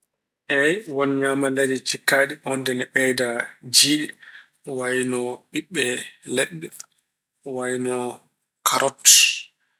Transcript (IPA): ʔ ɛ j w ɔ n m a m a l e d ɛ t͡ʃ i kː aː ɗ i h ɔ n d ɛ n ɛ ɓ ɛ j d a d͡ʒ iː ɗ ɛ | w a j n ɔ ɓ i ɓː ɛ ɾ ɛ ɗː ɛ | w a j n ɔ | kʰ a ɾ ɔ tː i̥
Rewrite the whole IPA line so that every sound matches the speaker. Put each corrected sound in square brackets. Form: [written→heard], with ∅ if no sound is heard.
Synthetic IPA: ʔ ɛ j w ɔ n [m→ɲ] a m a l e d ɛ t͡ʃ i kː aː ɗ i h ɔ n d ɛ n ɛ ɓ ɛ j d a d͡ʒ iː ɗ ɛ | w a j n ɔ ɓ i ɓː ɛ [ɾ→l] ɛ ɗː ɛ | w a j n ɔ | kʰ a ɾ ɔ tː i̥